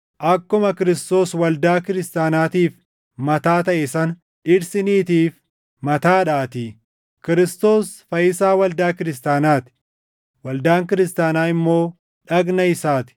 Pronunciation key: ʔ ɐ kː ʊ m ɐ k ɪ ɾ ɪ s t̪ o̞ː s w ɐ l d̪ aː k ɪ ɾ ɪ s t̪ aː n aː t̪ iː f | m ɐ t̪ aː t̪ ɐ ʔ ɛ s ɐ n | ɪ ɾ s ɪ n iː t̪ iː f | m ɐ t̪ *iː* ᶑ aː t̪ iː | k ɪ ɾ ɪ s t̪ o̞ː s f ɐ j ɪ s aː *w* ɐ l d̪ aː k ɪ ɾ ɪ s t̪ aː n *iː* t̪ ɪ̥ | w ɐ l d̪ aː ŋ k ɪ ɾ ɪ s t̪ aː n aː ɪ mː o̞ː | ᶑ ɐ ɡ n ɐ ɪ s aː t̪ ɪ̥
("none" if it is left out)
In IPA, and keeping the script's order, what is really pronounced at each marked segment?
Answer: aː, w, aː

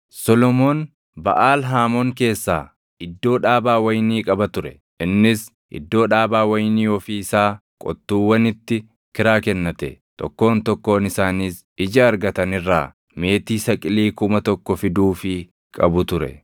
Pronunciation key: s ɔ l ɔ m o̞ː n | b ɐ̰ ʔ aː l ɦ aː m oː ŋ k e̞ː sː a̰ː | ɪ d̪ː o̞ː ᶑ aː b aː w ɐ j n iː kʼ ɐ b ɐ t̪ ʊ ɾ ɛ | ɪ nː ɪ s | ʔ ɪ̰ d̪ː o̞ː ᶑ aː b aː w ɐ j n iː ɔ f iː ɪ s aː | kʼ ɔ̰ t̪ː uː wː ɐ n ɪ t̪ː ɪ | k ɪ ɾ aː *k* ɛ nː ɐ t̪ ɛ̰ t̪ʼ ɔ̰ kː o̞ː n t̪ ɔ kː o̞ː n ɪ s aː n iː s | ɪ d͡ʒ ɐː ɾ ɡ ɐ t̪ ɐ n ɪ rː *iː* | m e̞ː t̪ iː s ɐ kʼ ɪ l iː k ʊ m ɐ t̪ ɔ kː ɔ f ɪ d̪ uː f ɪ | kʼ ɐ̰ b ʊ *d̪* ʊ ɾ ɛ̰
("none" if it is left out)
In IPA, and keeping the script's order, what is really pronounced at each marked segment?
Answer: k, aː, t̪

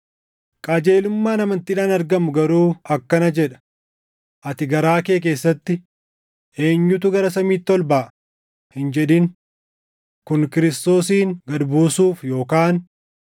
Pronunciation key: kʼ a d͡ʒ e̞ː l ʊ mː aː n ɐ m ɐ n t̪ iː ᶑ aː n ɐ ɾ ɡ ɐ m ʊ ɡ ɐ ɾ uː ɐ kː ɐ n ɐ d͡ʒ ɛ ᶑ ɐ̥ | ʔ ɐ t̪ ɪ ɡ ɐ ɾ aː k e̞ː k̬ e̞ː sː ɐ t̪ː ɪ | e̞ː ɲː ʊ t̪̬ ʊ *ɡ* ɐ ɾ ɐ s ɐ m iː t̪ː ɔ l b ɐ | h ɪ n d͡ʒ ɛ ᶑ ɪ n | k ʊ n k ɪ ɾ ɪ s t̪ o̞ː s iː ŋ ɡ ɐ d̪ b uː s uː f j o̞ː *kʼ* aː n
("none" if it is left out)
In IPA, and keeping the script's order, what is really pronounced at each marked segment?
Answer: ɡ, k

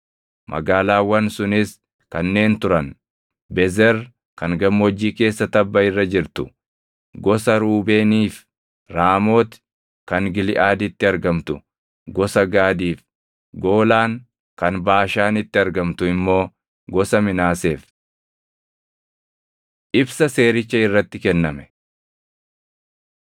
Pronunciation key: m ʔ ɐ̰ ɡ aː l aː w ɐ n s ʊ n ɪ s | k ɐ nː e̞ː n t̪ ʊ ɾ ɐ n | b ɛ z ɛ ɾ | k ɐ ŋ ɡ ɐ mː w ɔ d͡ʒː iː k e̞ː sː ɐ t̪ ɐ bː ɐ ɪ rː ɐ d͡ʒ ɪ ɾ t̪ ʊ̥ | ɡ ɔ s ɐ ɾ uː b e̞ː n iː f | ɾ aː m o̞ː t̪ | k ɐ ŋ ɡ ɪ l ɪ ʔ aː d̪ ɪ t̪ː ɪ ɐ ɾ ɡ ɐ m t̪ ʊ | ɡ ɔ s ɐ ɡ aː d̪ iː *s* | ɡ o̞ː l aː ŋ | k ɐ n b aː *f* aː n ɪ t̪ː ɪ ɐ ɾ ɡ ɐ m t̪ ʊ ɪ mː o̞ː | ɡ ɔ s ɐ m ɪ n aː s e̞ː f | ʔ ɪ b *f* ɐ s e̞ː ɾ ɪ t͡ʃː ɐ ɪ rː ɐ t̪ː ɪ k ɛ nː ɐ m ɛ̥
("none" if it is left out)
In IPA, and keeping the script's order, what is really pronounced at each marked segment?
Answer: f, ʃ, s

